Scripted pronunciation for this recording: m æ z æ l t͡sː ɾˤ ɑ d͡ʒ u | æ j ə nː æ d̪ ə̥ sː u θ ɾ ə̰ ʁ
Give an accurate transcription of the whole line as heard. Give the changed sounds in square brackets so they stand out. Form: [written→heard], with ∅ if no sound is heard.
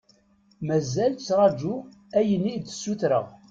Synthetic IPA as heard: m æ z æ l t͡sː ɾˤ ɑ d͡ʒ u | æ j ə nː [æ→i] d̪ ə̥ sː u θ ɾ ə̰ ʁ